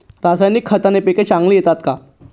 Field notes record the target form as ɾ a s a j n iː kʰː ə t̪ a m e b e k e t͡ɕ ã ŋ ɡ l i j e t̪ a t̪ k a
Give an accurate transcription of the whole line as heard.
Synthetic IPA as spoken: ɾ a s a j n i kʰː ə t̪ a n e p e k e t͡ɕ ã ŋ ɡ l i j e t̪ a t̪ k a